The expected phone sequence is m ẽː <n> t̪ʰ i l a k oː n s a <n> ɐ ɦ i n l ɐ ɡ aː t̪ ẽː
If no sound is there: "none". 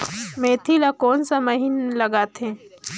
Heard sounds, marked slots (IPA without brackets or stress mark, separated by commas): none, m